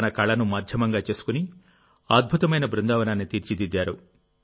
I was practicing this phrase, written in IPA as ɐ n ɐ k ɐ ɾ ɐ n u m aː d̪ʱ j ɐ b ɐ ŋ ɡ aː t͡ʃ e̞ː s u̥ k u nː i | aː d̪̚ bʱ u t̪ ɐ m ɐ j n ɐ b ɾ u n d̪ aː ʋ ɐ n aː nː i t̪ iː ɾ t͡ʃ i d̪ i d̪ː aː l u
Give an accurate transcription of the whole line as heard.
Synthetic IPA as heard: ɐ n ɐ k ɐ ɭ ɐ n u m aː d̪ʱ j ɐ m ɐ ŋ ɡ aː t͡ʃ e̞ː s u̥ k u n i | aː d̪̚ bʱ u t̪ ɐ m ɐ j n ɐ b ɾ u n d̪ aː ʋ ɐ n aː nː i t̪ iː ɾ t͡ʃ i d̪ i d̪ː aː ɾ u